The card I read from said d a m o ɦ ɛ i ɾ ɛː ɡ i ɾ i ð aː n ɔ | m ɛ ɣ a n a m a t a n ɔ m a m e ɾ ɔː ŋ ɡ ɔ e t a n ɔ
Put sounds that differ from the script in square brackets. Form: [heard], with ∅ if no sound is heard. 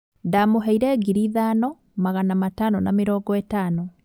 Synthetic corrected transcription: d a m o ɦ ɛ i ɾ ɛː ɡ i ɾ i ð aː n ɔ | m [a] ɣ a n a m a t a n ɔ [n] a m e ɾ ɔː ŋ ɡ ɔ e t a n ɔ